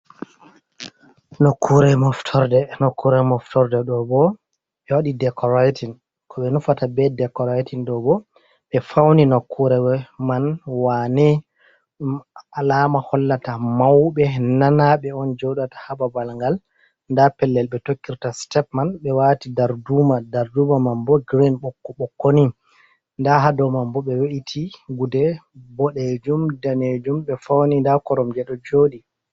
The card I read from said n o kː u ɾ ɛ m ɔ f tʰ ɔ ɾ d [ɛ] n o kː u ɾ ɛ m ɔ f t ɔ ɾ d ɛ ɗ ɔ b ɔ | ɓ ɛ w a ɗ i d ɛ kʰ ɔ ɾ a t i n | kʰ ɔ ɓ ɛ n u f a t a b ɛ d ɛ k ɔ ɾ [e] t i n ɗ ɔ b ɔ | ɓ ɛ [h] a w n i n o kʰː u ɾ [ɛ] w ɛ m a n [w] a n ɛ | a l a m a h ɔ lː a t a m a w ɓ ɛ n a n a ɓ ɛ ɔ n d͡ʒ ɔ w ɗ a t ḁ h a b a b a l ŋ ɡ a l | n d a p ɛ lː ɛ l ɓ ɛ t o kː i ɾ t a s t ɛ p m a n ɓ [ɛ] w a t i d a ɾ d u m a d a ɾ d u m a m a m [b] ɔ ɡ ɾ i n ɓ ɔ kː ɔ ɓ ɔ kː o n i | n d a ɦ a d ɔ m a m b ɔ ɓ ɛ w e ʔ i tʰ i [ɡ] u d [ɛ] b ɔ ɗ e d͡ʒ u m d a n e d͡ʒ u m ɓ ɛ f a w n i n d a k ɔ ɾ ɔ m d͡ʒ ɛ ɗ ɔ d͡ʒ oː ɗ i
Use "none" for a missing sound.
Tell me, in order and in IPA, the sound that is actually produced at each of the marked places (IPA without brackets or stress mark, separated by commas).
ɛ, a, f, ɛ, w, ɛ, b, ɡ, ɛ